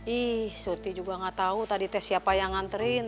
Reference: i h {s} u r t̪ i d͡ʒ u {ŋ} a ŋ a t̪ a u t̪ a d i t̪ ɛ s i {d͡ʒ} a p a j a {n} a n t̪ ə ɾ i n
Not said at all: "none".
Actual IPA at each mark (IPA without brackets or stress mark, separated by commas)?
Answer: s, ɡ, none, ŋ